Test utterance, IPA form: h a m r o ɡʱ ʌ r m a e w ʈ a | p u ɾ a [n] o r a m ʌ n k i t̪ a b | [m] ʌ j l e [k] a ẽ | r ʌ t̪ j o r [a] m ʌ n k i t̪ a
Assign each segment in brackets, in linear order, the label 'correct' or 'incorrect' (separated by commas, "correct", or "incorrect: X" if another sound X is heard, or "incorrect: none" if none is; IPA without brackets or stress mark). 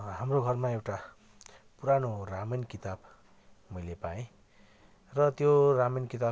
correct, correct, incorrect: p, correct